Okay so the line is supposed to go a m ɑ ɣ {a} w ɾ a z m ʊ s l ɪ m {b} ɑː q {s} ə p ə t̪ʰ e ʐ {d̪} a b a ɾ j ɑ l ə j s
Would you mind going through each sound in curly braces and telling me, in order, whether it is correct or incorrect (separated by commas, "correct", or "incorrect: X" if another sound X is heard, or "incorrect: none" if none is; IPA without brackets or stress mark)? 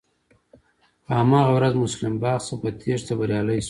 correct, correct, correct, incorrect: t̪